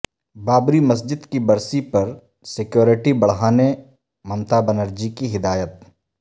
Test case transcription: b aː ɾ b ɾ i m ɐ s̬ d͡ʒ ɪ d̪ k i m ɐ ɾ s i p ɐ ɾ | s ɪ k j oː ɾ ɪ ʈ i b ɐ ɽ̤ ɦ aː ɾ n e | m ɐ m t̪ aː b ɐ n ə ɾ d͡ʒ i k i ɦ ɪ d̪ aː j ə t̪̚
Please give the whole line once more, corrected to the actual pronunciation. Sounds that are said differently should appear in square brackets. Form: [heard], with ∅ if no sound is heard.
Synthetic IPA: b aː [∅] b ɾ i m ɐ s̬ d͡ʒ ɪ d̪ k i [b] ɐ ɾ s i p ɐ ɾ | s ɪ k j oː ɾ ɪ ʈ i b ɐ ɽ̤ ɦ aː [∅] n e | m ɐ m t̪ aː b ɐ n ə ɾ d͡ʒ i k i ɦ ɪ d̪ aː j ə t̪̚